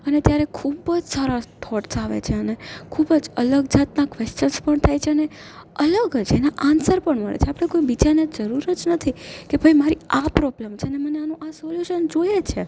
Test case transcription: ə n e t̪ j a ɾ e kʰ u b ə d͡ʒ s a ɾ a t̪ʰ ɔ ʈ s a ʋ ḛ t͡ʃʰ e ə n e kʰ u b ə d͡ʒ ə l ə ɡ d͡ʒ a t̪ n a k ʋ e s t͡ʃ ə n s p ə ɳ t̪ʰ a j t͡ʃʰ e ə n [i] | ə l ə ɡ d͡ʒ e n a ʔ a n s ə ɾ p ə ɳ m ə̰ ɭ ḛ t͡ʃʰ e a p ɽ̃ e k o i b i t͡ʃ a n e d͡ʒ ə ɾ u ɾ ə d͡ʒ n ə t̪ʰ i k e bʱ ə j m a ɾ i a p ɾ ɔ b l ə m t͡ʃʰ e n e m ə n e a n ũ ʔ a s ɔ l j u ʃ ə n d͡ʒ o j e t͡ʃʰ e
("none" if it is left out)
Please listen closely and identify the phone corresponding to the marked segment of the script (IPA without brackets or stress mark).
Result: e